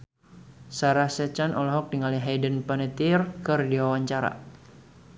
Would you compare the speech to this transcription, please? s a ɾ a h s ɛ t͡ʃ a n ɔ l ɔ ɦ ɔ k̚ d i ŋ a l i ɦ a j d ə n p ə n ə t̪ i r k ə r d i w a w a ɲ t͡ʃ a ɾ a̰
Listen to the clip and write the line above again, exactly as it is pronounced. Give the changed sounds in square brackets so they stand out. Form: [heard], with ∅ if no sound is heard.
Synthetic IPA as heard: s a ɾ a h s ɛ t͡ʃ a n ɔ l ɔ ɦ ɔ k̚ d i ŋ a l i ɦ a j d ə n p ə n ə t̪ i r k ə r d i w a w a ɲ t͡ʃ a ɾ a̰